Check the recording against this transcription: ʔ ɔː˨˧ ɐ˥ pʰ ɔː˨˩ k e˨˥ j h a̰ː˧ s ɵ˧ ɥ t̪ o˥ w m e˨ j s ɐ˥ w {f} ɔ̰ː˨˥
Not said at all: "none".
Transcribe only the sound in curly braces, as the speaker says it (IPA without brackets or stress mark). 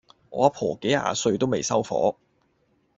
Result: f